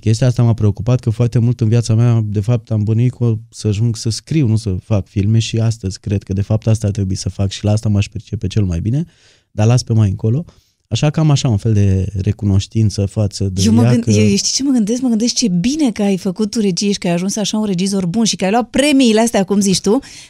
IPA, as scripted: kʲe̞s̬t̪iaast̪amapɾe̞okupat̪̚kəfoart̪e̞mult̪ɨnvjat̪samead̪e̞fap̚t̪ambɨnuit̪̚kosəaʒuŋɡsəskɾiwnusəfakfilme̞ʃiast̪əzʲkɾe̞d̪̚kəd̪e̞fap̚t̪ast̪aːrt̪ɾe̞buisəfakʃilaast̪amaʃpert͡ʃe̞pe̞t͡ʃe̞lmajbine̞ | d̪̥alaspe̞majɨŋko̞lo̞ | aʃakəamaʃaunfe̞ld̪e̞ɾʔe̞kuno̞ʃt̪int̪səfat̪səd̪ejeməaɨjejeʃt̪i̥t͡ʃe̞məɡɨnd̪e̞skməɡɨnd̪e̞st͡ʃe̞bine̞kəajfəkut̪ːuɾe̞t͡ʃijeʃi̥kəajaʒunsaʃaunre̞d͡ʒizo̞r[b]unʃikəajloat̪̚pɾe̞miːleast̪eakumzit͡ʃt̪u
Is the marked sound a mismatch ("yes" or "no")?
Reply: no